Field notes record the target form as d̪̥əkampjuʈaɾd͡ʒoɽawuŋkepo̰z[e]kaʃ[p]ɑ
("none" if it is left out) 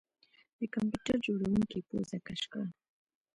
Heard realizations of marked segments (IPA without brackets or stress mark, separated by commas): a, k